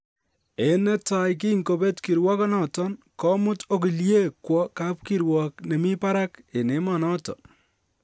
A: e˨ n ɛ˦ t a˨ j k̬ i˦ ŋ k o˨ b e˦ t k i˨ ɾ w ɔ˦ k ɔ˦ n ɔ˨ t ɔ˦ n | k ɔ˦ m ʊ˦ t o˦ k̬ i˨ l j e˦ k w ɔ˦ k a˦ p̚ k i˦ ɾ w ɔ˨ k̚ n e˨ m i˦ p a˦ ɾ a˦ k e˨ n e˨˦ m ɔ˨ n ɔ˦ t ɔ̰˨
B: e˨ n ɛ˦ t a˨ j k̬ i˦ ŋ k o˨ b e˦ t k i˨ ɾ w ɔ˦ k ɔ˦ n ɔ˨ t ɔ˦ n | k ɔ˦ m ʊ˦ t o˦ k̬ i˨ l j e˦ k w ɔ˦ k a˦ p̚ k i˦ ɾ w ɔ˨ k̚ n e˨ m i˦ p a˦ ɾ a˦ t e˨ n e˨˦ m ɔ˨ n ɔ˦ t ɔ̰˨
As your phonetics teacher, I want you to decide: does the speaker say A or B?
A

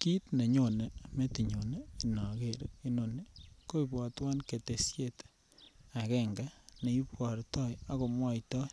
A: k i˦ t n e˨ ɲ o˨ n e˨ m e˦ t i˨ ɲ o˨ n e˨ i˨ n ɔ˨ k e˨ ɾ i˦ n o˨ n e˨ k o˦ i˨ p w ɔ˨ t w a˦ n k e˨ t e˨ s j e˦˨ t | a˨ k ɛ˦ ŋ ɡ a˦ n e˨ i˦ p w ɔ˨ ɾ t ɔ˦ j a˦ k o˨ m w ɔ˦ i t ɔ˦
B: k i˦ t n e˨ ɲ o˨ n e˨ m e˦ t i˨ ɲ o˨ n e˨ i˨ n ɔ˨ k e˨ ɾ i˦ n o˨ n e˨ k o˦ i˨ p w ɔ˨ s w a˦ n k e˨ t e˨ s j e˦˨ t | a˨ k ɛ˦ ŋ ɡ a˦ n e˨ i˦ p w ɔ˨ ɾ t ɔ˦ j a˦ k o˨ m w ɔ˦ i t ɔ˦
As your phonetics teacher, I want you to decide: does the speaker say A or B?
A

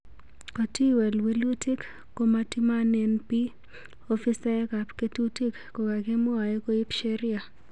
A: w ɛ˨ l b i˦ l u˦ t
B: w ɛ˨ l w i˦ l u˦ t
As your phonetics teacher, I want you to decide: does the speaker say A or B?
B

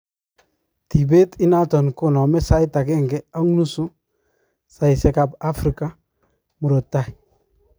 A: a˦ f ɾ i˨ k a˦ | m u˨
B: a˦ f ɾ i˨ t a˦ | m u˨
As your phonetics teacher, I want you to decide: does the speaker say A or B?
A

